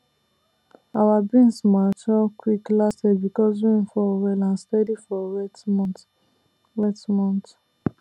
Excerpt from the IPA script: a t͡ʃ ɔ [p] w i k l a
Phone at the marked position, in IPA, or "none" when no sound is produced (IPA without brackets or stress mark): k